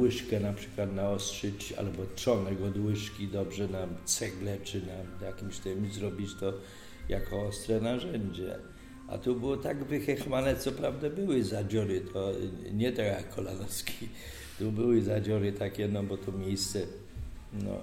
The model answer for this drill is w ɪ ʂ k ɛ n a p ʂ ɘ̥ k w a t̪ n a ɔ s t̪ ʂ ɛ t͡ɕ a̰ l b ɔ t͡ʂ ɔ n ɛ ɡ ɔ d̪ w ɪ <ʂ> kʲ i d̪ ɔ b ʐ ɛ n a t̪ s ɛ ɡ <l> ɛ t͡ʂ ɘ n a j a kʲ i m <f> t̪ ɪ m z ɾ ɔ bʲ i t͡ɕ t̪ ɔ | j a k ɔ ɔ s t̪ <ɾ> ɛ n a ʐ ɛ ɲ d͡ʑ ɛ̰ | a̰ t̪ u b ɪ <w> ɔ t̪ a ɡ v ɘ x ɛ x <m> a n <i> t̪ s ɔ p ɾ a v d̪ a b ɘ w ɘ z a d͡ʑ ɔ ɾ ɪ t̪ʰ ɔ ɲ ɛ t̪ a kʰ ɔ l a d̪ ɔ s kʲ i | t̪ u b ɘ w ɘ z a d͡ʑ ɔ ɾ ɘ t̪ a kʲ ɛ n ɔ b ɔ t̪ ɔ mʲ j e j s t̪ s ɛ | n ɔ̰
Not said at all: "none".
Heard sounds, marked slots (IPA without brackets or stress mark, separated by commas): ʂ, l, ɕ, ɾ, w, m, ɛ